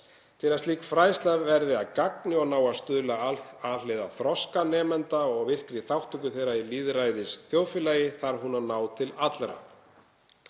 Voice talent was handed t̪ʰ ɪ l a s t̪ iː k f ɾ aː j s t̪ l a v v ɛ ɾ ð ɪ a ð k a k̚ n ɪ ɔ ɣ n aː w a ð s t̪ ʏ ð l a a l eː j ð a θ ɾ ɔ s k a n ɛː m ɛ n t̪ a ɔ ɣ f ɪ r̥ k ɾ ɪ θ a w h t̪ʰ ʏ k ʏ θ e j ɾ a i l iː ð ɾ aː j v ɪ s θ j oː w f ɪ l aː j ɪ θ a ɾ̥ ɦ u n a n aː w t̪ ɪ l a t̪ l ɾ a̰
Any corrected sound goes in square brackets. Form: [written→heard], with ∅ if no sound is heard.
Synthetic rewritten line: t̪ʰ ɪ l a s t̪ iː k f ɾ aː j s t̪ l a v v ɛ ɾ ð ɪ a ð k a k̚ n ɪ ɔ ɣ n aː w a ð s t̪ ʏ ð l a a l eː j ð a θ ɾ ɔ s k a n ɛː m ɛ n t̪ a ɔ ɣ [f→v] ɪ r̥ k ɾ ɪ θ a w h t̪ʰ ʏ k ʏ θ e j ɾ a i l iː ð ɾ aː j [v→ð] ɪ s θ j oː w f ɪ l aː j ɪ θ a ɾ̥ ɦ u n a n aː w [t̪→t̪ʰ] ɪ l a t̪ l ɾ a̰